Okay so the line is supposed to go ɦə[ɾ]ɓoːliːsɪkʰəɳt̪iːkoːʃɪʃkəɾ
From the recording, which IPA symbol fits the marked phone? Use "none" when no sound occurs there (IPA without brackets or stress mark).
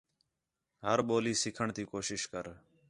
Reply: ɾ